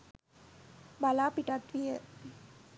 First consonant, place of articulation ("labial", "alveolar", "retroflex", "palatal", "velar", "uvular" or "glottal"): labial